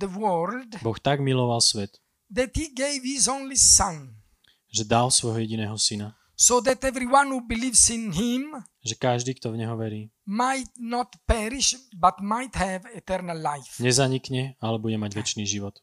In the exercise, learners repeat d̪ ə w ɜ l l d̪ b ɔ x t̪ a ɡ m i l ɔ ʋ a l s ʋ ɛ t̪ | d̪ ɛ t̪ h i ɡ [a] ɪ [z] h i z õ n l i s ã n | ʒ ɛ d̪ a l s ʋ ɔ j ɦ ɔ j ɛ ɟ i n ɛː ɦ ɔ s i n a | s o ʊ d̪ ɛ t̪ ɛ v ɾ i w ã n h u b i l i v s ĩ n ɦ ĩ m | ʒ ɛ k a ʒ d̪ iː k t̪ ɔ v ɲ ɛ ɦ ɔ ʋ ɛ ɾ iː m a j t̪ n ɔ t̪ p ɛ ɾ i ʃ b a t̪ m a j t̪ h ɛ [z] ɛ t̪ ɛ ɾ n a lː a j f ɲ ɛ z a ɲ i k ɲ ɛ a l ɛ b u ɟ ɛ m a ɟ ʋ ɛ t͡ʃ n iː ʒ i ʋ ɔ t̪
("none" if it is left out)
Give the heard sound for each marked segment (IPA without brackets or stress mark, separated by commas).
e, v, v